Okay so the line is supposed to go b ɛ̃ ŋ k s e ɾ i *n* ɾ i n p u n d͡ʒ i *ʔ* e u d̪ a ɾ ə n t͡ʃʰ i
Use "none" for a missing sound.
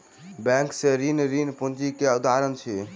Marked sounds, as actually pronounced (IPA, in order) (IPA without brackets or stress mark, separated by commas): n, k